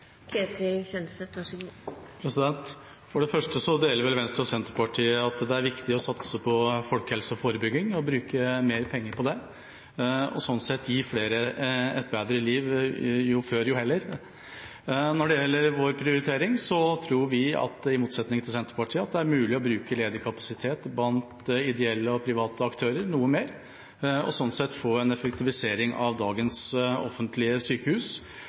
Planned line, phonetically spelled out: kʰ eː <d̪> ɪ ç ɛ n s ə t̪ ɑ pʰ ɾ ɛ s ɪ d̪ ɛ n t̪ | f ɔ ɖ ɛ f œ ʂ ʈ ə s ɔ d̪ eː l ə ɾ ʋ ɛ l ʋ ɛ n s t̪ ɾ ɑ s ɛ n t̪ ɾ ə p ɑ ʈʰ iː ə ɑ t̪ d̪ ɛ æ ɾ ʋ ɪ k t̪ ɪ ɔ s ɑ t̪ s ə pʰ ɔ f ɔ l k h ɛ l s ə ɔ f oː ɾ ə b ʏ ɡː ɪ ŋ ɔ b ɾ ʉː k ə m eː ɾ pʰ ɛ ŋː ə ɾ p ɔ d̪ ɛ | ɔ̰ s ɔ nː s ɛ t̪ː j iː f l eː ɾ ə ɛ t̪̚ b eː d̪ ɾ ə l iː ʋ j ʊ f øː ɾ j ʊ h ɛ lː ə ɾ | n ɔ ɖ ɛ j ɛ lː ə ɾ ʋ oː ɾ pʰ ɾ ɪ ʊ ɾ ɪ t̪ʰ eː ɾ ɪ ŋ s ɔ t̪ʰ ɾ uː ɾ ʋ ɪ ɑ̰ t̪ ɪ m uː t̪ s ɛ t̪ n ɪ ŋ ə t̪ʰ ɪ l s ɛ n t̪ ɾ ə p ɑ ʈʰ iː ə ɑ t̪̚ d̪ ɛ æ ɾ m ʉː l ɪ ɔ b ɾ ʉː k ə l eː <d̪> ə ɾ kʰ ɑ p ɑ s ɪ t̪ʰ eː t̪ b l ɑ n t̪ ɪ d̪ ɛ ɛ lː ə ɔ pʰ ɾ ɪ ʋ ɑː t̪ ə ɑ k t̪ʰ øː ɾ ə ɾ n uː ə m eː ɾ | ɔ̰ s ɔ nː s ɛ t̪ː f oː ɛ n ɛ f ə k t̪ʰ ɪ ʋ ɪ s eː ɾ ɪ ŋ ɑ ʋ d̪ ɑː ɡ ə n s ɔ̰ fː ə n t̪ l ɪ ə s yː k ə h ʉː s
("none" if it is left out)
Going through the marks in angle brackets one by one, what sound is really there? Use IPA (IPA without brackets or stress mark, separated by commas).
t̪, d̪